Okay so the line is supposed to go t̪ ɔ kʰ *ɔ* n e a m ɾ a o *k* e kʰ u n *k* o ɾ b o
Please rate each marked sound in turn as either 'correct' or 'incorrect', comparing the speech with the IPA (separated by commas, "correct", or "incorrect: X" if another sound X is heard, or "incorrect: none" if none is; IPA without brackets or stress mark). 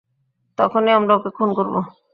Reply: incorrect: o, correct, correct